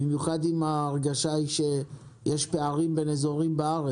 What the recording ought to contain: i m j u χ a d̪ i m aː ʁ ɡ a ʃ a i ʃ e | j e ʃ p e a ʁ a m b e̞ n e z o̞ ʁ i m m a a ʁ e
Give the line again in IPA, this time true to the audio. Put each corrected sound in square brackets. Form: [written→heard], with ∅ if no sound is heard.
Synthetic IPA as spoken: i m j u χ a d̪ i m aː ʁ ɡ a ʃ a i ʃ e | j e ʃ p e a ʁ [a→i] m b e̞ n e z o̞ ʁ i m [m→b] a a ʁ e